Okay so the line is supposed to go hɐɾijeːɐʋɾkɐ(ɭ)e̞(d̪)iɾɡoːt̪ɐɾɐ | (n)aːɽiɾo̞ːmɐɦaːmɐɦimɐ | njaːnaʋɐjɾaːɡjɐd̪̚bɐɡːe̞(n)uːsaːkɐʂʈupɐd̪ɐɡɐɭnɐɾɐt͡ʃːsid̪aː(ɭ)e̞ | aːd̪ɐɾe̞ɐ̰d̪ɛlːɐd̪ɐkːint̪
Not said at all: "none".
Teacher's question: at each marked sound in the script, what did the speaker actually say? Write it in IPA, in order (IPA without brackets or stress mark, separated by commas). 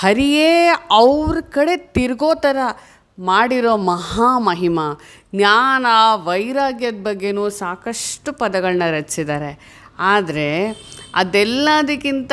ɽ, t̪, m, n, ɾ